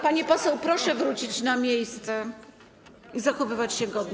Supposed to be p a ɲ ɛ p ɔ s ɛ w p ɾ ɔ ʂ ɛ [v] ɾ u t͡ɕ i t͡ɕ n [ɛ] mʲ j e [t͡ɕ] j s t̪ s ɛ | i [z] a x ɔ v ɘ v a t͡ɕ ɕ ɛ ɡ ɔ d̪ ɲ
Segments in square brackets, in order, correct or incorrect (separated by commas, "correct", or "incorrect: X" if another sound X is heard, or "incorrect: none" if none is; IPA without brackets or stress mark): correct, incorrect: a, incorrect: none, correct